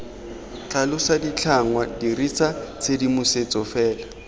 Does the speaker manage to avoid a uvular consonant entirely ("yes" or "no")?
yes